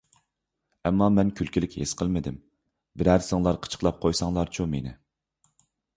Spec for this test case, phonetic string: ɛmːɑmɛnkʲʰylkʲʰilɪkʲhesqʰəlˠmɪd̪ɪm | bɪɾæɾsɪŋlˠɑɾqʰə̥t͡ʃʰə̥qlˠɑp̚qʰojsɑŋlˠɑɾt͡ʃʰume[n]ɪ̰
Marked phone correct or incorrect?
correct